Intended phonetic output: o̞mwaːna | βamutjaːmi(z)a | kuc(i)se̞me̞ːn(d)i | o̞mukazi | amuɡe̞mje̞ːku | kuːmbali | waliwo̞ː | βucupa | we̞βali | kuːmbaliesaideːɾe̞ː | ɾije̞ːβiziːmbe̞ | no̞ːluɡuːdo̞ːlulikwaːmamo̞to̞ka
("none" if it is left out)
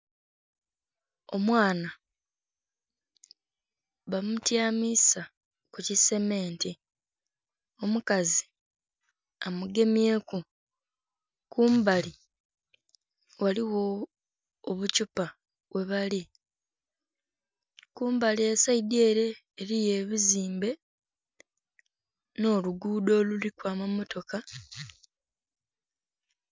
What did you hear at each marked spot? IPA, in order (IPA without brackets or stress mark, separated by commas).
s, i, t